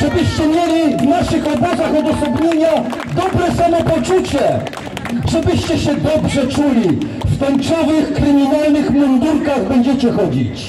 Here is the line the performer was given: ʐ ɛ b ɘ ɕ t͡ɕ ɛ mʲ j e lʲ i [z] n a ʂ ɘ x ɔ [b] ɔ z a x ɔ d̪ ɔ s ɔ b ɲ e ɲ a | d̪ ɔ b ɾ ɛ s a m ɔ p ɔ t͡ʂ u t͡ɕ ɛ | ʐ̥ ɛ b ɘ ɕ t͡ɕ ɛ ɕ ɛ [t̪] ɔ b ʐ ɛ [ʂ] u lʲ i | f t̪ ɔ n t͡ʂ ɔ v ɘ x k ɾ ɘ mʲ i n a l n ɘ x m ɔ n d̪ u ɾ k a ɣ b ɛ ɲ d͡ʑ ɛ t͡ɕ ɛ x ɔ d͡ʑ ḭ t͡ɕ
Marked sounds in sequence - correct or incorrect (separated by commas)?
incorrect, correct, incorrect, incorrect